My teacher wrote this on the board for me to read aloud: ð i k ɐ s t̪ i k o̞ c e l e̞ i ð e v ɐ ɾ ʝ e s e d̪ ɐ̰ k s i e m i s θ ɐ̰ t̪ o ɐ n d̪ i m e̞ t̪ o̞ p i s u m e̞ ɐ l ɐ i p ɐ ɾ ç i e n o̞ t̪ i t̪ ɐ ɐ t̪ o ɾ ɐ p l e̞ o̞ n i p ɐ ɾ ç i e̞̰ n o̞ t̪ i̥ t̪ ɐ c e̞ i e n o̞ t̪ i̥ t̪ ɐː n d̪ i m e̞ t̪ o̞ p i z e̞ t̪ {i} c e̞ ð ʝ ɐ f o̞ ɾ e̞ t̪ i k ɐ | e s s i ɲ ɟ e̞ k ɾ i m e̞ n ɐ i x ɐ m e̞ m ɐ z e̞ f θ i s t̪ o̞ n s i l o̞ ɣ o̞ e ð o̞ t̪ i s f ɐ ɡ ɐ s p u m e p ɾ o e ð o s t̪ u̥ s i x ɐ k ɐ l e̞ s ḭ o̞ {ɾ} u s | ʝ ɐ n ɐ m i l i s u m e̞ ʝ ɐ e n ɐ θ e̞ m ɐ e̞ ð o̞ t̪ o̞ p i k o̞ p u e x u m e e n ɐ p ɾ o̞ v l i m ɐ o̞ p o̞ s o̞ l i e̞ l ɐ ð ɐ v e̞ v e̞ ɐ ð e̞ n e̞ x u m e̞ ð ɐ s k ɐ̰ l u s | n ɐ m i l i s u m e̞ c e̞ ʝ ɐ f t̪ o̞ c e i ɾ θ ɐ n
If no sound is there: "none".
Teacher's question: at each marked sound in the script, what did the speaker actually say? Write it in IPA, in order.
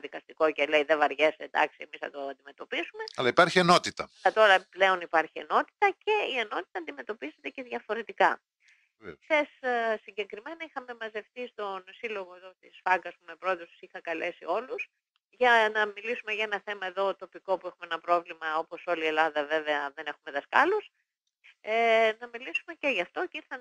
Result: e, l

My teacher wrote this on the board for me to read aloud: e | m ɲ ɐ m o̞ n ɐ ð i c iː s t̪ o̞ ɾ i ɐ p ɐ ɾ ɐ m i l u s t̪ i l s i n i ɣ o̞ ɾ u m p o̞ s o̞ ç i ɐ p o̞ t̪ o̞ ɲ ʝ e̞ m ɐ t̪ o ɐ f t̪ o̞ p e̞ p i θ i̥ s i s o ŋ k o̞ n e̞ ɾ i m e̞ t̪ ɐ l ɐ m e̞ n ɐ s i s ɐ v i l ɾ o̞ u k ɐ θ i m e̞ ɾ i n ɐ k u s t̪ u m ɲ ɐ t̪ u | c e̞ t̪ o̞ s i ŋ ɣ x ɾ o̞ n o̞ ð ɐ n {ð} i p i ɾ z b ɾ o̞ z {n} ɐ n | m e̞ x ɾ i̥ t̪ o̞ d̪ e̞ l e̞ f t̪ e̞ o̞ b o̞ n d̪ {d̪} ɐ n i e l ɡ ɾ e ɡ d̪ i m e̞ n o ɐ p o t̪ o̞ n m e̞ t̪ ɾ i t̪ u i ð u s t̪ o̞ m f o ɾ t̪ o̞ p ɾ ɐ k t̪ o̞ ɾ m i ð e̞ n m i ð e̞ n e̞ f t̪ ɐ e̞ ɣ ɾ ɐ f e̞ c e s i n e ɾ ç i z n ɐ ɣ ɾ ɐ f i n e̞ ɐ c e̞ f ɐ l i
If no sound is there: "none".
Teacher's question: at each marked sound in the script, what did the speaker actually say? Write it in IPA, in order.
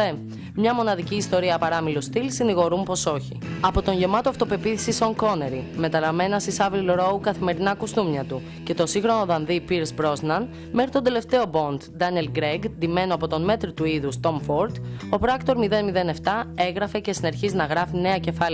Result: ð, n, d̪

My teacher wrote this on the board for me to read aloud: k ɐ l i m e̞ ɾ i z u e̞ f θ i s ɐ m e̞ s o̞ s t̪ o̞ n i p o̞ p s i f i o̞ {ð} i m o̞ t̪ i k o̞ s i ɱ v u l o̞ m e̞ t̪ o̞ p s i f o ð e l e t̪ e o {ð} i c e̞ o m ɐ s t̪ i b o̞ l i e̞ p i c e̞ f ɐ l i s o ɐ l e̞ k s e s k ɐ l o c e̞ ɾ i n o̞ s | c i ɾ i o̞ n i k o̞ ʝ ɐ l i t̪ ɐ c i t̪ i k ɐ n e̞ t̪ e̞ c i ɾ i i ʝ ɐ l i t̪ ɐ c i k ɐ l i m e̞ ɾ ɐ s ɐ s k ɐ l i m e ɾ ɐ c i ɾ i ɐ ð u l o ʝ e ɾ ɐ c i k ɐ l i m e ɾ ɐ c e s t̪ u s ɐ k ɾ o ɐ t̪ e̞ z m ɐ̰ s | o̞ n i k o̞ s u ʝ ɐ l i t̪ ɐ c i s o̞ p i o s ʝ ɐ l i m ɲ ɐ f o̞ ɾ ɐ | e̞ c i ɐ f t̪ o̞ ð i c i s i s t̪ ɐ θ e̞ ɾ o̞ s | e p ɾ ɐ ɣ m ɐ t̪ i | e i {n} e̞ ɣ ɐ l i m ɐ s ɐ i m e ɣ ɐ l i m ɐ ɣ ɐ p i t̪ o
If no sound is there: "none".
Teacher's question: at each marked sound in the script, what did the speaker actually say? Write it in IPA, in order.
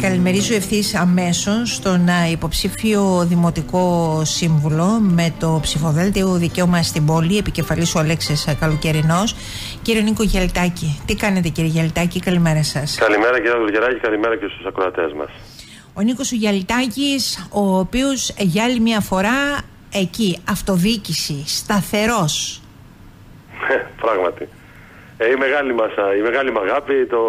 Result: ð, ð, m

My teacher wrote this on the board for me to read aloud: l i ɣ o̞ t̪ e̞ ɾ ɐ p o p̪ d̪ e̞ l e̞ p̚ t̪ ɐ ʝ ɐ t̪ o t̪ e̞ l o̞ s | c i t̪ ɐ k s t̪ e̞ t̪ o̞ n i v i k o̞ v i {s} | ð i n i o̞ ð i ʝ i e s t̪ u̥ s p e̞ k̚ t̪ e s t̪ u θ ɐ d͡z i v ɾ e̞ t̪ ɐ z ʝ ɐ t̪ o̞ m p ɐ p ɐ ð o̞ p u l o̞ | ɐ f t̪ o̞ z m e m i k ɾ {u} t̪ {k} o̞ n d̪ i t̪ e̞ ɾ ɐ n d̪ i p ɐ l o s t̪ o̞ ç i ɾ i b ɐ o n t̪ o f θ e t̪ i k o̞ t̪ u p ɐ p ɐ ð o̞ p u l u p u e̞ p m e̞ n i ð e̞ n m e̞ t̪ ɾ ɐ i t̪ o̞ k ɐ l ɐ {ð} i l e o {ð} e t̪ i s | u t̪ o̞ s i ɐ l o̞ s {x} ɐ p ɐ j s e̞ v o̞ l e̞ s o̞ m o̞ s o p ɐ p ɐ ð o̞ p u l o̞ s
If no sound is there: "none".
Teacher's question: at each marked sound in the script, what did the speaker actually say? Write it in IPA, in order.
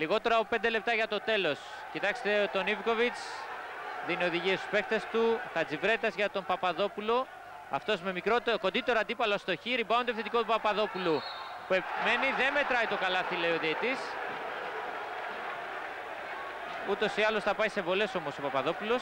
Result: t͡s, o, k, θ, ð, θ

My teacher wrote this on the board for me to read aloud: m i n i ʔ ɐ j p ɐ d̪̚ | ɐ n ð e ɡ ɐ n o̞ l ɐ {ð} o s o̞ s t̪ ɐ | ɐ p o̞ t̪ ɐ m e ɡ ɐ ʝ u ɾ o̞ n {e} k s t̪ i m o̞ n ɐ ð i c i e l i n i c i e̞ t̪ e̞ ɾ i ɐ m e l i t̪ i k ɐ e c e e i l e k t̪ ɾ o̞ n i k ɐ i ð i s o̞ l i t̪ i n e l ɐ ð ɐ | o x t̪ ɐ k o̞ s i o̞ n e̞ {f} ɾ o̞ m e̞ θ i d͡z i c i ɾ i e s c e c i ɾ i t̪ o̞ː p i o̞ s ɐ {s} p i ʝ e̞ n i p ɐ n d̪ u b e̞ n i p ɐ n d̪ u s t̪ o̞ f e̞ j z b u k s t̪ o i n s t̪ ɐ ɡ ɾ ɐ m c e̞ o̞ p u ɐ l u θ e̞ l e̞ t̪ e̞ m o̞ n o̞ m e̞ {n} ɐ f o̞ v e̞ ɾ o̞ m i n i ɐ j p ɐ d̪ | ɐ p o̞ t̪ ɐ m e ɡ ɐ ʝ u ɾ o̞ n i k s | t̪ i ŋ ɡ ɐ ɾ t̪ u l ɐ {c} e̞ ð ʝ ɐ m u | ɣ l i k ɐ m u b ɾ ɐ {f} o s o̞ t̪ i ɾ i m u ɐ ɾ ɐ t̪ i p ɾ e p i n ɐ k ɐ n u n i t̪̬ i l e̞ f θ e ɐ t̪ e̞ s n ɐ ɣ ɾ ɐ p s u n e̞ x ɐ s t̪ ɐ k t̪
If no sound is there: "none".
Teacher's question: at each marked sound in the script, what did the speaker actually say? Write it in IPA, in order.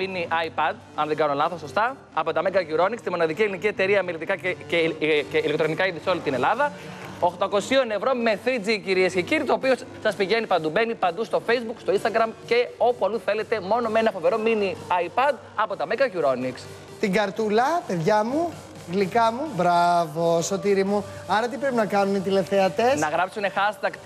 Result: θ, i, v, s, n, p, v

